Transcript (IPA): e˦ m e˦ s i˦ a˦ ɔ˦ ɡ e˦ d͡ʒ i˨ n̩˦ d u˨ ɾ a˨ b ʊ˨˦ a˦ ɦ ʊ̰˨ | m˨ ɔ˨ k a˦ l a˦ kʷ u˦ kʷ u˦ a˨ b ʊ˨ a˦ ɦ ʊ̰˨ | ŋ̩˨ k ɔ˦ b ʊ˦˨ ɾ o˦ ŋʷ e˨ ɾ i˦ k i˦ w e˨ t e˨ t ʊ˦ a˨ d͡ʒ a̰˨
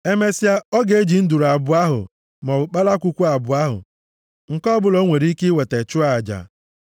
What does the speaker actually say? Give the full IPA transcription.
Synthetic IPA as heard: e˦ m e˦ s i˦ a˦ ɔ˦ ɡ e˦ d͡ʒ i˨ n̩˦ d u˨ ɾ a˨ b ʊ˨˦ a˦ ɦ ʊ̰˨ | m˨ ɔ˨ k͡p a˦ l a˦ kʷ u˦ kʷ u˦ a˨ b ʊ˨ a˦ ɦ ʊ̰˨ | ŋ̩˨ k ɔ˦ b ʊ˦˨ l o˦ ŋʷ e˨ ɾ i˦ k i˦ w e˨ t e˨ t͡ʃ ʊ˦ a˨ d͡ʒ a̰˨

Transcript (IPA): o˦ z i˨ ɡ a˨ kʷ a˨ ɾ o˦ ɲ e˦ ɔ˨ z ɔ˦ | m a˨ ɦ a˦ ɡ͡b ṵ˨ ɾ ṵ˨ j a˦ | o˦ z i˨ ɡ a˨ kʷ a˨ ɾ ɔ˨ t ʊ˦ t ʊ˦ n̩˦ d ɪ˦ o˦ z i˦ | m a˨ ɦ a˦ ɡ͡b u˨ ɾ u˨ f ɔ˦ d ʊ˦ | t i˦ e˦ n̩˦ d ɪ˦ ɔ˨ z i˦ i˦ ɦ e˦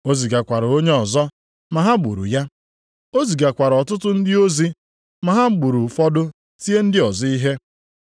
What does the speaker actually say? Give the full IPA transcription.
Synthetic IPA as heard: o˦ z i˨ ɡ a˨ kʷ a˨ ɾ o˦ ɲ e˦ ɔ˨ z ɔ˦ | m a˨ ɦ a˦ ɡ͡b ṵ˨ ɾ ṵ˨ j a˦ | o˦ z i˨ ɡ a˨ kʷ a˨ ɾ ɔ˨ t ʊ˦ t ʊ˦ n̩˦ d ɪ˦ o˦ z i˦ | m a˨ ɦ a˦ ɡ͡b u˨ ɾ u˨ f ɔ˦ d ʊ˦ | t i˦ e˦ n̩˦ d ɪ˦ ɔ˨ z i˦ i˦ ɦ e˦

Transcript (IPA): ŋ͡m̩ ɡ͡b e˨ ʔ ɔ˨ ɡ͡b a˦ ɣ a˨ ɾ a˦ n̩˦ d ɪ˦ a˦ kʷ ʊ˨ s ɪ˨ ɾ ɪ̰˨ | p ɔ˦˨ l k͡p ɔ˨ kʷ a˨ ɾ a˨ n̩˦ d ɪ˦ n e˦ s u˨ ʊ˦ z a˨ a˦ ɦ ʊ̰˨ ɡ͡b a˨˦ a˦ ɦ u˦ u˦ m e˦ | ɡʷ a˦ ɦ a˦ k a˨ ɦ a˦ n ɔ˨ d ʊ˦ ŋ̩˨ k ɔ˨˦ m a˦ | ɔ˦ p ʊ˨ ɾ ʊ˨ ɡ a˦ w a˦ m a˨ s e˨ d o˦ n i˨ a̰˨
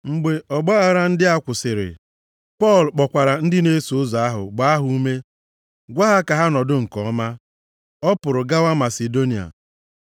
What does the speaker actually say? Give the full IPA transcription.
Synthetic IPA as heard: ŋ͡m̩ ɡ͡b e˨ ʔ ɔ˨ ɡ͡b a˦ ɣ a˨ ɾ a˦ n̩˦ d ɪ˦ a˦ kʷ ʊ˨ s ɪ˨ ɾ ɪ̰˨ | p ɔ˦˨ l k͡p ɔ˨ kʷ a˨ ɾ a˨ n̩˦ d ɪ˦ n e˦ s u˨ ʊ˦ z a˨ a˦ ɦ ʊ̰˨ ɡ͡b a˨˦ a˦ ɦ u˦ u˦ m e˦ | ɡʷ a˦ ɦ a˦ k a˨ ɦ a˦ n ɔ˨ d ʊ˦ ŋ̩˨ k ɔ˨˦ m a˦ | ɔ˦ p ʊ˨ ɾ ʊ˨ ɡ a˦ w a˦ m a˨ s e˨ d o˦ n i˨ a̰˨

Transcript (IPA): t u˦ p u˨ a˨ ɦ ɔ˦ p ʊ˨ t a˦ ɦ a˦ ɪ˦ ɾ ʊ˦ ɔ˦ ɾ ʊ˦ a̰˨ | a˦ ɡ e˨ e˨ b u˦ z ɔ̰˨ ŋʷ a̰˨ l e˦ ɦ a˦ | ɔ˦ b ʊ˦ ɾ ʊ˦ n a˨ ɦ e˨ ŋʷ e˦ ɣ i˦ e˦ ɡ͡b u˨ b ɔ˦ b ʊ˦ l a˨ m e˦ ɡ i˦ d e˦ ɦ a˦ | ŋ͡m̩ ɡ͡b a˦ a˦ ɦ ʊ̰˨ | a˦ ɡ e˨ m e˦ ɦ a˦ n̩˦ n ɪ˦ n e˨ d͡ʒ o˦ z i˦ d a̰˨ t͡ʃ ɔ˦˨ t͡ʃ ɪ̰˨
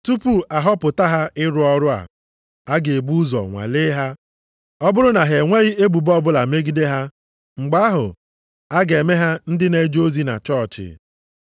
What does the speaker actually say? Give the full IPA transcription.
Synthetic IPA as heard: t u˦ p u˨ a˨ ɦ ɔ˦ p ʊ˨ t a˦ ɦ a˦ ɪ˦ ɾ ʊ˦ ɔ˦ ɾ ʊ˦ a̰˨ | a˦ ɡ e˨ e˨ b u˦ z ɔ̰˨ ŋʷ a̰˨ l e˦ ɦ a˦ | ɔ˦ b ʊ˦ ɾ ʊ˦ n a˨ ɦ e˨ ŋʷ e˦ ɣ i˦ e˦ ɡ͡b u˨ b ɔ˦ b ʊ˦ l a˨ m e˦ ɡ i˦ d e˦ ɦ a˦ | ŋ͡m̩ ɡ͡b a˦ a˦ ɦ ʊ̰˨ | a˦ ɡ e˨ m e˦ ɦ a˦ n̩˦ d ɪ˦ n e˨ d͡ʒ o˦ z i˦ n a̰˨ t͡ʃ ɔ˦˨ t͡ʃ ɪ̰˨

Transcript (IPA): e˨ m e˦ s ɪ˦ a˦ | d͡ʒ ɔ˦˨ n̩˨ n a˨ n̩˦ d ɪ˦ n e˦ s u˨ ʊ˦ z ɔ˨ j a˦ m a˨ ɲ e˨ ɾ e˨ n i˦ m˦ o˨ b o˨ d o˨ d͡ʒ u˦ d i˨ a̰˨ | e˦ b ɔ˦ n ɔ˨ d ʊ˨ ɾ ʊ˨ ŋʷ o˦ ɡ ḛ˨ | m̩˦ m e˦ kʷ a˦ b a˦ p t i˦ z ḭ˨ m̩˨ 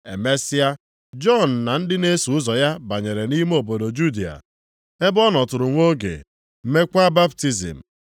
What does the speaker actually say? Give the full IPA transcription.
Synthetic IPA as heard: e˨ m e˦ s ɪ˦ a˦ | d͡ʒ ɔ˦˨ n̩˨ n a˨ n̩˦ d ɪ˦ n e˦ s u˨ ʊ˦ z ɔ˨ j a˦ b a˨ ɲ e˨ ɾ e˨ n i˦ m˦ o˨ b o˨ d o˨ d͡ʒ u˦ d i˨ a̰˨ | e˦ b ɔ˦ n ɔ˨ t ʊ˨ ɾ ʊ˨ ŋʷ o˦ ɡ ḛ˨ | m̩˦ m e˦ kʷ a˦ b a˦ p t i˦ z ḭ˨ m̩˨

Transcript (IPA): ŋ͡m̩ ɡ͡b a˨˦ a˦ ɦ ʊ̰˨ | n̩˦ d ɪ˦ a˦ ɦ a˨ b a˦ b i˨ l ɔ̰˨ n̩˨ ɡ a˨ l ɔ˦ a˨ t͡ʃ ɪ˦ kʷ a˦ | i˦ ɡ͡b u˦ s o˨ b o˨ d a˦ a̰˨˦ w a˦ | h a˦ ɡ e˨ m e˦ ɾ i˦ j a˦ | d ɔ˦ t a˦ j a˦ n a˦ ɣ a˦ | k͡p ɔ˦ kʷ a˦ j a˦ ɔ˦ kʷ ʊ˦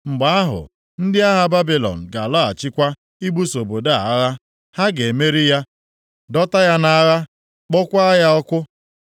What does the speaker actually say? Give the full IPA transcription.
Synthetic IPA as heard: ŋ͡m̩ ɡ͡b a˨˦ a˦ ɦ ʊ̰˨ | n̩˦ d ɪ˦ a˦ ɦ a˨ b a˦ b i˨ l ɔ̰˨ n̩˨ ɡ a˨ l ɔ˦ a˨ t͡ʃ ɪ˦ kʷ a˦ | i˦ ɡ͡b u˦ s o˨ b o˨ d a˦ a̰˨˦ ɣ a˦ | h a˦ ɡ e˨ m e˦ ɾ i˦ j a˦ | d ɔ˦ t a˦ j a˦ n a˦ ɣ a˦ | k͡p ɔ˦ kʷ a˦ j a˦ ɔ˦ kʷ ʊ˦

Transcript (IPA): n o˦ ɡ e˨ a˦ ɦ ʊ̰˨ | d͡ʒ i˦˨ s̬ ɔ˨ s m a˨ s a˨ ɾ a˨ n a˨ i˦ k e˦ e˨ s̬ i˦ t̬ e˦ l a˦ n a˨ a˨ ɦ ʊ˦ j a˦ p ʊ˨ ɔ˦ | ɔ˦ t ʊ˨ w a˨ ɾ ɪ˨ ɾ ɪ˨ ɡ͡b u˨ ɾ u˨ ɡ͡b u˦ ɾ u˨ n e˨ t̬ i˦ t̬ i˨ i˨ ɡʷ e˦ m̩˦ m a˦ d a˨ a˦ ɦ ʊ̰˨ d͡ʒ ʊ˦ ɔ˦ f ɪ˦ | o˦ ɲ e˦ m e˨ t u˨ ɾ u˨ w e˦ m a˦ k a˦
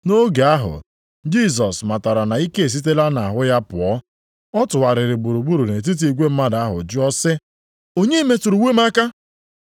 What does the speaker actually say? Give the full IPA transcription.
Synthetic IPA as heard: n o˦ ɡ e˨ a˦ ɦ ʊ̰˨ | d͡ʒ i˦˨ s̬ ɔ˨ s m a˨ t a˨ ɾ a˨ n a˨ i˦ k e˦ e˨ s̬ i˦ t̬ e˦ l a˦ n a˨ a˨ ɦ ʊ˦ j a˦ p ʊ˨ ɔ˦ | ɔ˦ t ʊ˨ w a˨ ɾ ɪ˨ ɾ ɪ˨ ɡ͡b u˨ ɾ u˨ ɡ͡b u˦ ɾ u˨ n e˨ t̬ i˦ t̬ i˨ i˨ ɡʷ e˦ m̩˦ m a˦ d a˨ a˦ ɦ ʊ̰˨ d͡ʒ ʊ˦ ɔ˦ s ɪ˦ | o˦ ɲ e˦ m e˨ t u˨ ɾ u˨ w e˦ m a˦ k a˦

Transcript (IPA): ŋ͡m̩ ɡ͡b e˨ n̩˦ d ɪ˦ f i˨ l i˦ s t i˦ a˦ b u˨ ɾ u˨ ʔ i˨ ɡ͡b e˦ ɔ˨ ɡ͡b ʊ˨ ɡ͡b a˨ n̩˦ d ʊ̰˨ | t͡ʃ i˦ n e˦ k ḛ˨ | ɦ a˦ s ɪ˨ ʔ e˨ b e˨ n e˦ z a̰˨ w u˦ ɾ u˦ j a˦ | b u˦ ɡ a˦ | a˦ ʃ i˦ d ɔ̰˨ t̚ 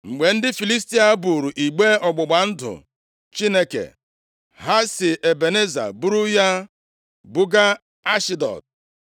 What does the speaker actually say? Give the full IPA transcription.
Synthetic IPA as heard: ŋ͡m̩ ɡ͡b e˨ n̩˦ d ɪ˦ f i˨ l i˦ s t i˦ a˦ b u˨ ɾ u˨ ʔ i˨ ɡ͡b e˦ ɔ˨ ɡ͡b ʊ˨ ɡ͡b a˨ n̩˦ d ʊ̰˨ | t͡ʃ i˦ n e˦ k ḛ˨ | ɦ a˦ s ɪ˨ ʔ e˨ b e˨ n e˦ z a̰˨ b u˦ ɾ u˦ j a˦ | b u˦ ɡ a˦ | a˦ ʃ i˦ d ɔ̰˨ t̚

